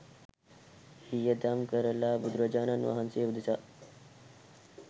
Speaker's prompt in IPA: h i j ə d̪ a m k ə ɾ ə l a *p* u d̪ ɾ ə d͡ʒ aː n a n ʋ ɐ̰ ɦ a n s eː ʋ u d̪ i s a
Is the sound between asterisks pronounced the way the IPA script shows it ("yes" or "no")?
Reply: no